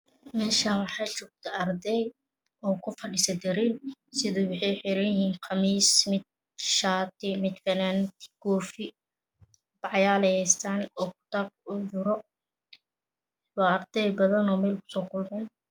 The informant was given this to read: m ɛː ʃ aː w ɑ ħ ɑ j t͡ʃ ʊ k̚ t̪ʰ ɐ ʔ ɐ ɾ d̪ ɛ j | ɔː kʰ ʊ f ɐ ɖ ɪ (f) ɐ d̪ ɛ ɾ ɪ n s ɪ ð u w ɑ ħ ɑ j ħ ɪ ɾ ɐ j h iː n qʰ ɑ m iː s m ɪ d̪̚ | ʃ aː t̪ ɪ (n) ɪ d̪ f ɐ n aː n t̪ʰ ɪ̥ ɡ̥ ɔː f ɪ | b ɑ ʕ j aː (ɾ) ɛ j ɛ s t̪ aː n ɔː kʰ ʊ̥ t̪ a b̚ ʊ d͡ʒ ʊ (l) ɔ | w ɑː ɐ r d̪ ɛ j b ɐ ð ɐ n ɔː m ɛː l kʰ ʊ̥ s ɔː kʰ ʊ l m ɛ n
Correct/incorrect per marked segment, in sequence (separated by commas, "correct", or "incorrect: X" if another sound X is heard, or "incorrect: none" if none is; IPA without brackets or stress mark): incorrect: s, incorrect: m, incorrect: l, incorrect: ɾ